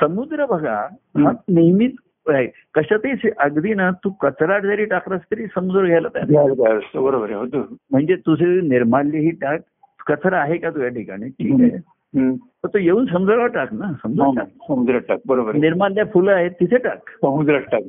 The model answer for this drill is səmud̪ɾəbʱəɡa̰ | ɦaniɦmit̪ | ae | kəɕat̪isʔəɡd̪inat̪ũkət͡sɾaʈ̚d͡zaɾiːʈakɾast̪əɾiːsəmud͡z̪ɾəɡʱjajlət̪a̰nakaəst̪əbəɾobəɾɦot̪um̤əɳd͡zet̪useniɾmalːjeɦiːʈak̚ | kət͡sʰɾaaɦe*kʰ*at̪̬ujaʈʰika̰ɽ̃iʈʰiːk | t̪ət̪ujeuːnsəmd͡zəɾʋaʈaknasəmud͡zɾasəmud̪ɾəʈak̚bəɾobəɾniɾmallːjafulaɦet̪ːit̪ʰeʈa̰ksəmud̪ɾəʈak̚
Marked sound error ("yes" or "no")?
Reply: yes